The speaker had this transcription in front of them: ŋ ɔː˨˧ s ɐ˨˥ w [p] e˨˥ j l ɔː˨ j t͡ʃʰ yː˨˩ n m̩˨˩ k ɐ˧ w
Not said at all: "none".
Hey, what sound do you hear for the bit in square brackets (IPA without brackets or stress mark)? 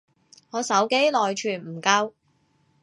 k